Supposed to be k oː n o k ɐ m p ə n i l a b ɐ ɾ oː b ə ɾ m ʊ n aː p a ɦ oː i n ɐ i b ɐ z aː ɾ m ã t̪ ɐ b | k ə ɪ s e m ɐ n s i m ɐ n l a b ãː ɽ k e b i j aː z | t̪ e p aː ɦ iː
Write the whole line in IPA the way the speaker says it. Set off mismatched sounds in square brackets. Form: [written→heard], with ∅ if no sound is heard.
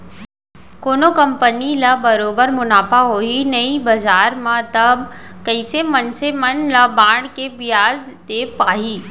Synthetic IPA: k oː n o k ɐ m p ə n i l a b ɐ ɾ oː b ə ɾ m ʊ n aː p a ɦ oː i n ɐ i b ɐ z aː ɾ m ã t̪ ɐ b | k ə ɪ s e m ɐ n s [i→e] m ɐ n l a b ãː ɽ k e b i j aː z | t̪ e p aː ɦ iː

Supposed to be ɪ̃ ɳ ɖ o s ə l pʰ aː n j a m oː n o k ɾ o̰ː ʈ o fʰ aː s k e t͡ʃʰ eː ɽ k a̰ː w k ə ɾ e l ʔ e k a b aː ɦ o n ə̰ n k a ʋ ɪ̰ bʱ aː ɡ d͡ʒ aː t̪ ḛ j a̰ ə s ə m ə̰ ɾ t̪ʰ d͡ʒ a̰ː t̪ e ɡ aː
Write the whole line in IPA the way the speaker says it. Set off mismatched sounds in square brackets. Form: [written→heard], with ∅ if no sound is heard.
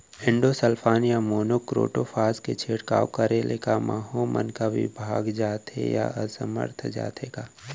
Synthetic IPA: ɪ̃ ɳ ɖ o s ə l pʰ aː n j a m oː n o k ɾ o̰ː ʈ o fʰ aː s k e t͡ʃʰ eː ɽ k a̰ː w k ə ɾ e l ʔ e k a [b→m] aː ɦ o [n→m] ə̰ n k a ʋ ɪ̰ bʱ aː ɡ d͡ʒ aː t̪ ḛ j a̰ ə s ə m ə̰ ɾ t̪ʰ d͡ʒ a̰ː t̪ e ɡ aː

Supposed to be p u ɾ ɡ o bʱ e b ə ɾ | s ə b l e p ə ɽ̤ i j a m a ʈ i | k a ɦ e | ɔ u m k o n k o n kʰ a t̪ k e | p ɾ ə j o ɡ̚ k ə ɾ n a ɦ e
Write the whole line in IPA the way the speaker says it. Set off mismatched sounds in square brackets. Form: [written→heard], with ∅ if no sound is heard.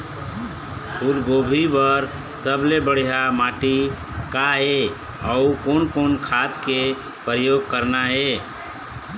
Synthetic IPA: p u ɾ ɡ o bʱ [e→i] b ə ɾ | s ə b l e [p→b] ə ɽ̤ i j a m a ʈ i | k a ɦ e | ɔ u [m→∅] k o n k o n kʰ a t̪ k e | p ɾ ə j o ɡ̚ k ə ɾ n a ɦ e

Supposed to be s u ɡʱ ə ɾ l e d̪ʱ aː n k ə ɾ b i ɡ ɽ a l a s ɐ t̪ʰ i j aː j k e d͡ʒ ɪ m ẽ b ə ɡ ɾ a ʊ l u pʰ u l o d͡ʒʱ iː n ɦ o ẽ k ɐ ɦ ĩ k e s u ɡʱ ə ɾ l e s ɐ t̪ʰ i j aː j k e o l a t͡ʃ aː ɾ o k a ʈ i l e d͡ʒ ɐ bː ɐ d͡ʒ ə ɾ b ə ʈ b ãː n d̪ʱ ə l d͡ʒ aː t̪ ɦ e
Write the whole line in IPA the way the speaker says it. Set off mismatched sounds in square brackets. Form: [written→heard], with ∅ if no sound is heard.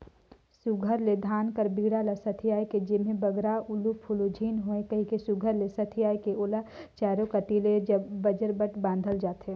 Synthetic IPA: s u ɡʱ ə ɾ l e d̪ʱ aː n k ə ɾ b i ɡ ɽ a l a s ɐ t̪ʰ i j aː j k e d͡ʒ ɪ m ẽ b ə ɡ ɾ a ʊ l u pʰ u l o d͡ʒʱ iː n ɦ o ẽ k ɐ ɦ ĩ k e s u ɡʱ ə ɾ l e s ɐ t̪ʰ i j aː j k e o l a t͡ʃ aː ɾ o k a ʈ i l e d͡ʒ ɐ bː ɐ d͡ʒ ə ɾ b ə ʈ b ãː n d̪ʱ ə l d͡ʒ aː t̪ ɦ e

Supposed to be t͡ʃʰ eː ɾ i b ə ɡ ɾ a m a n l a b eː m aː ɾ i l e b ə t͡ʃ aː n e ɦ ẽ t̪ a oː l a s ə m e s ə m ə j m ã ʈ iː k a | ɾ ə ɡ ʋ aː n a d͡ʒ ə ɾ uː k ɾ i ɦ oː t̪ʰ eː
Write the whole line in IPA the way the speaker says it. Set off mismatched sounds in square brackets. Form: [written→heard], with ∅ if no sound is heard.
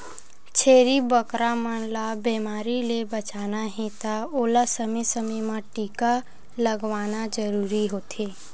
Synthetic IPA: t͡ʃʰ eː ɾ i b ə [ɡ→k] ɾ a m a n l a b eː m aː ɾ i l e b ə t͡ʃ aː n [e→a] ɦ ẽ t̪ a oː l a s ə m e s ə m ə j m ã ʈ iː k a | [ɾ→l] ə ɡ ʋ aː n a d͡ʒ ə ɾ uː [k→∅] ɾ i ɦ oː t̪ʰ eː

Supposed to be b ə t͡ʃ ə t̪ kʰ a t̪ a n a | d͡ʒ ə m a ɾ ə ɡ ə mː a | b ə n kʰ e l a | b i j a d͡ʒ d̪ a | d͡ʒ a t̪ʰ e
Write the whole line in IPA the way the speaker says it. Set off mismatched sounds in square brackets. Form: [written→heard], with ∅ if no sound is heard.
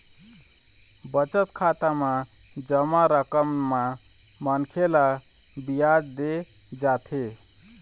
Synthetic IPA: b ə t͡ʃ ə t̪ kʰ a t̪ a [n→m] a | d͡ʒ ə m a ɾ ə [ɡ→k] ə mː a | [b→m] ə n kʰ e l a | b i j a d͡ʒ d̪ [a→e] | d͡ʒ a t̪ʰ e

